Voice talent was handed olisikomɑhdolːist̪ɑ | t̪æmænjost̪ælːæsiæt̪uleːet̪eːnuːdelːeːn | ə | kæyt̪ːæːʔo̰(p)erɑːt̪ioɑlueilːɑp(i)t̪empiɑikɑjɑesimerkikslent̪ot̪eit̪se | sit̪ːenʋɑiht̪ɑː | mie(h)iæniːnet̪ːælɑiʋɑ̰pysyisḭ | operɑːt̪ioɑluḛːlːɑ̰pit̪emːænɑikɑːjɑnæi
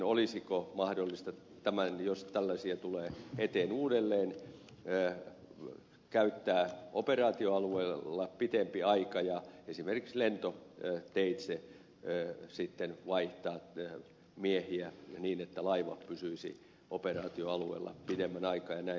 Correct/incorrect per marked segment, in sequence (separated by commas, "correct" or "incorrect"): correct, correct, correct